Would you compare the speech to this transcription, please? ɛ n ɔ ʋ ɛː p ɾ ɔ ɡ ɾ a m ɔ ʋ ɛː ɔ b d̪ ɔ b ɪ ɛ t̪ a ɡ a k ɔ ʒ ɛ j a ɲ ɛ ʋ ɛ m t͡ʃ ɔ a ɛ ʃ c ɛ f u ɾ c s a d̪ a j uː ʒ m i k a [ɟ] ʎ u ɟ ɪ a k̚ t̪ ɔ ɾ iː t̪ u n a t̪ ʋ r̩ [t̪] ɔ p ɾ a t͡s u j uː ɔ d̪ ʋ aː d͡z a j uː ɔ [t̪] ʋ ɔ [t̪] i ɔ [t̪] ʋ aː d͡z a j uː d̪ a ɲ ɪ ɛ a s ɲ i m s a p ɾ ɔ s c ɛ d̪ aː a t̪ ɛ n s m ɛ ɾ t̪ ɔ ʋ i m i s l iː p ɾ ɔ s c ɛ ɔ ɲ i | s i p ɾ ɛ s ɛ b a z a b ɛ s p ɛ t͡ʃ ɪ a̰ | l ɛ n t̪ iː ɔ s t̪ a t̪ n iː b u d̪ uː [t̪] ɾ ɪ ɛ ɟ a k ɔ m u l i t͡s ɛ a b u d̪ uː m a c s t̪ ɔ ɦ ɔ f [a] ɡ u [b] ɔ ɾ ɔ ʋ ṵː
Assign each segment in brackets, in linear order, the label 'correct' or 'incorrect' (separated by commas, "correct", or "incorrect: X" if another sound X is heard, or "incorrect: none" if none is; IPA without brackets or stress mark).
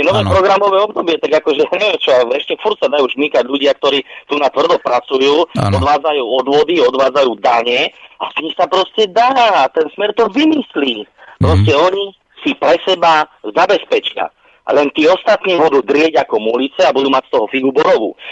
correct, incorrect: d̪, incorrect: d̪, incorrect: d̪, incorrect: d̪, incorrect: d̪, incorrect: i, correct